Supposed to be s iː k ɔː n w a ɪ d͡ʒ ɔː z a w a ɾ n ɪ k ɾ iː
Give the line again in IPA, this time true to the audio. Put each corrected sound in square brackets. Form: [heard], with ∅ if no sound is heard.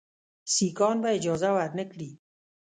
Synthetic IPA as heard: s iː k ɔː n [b] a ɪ d͡ʒ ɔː z a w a ɾ n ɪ k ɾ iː